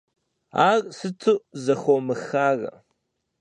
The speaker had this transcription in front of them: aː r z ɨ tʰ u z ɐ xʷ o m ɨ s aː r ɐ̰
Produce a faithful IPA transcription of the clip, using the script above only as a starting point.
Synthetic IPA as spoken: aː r s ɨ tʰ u z ɐ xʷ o m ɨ x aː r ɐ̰